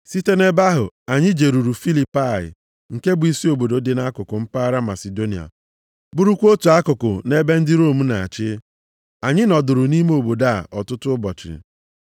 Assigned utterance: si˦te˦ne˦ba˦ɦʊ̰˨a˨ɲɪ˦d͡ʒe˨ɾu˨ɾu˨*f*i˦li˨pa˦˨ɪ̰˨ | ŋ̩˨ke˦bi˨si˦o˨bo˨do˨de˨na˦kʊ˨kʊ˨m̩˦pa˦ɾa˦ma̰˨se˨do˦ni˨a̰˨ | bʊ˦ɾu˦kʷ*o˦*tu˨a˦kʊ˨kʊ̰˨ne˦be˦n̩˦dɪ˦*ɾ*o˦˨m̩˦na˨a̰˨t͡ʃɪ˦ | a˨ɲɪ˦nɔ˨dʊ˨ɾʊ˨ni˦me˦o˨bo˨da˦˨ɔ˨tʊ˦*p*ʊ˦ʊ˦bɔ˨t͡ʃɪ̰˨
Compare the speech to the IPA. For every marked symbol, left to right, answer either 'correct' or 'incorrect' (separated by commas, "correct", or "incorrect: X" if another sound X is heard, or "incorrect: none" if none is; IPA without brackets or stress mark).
correct, correct, correct, incorrect: t